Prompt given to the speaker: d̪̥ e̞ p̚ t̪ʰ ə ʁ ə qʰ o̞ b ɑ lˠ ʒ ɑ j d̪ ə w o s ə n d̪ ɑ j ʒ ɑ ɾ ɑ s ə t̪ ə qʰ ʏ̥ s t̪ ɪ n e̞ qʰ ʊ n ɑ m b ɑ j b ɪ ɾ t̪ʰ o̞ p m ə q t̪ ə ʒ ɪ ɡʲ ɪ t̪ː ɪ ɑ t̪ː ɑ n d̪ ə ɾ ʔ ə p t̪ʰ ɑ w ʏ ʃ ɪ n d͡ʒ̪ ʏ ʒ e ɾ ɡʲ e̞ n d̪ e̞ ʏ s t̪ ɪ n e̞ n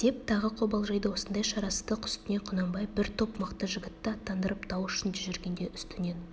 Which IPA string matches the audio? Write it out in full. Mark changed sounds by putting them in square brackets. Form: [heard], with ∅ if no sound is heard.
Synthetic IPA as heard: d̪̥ e̞ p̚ t̪ʰ [ɑ] ʁ ə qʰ o̞ b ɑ lˠ ʒ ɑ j d̪ ə w o s ə n d̪ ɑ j [ʃ] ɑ ɾ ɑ s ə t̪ ə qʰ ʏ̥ s t̪ ɪ n e̞ qʰ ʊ n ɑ m b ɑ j b ɪ ɾ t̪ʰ o̞ p m ə q t̪ ə ʒ ɪ ɡʲ ɪ t̪ː ɪ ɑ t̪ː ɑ n d̪ ə ɾ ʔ ə p t̪ʰ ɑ w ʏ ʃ ɪ n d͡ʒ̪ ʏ ʒ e ɾ ɡʲ e̞ n d̪ e̞ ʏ s t̪ ɪ n e̞ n